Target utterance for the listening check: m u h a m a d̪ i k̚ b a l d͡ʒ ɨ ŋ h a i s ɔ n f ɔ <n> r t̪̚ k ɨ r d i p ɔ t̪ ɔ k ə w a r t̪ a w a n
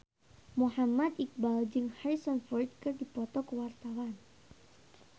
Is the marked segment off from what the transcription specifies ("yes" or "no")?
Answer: yes